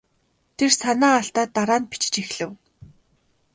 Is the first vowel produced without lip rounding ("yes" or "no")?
yes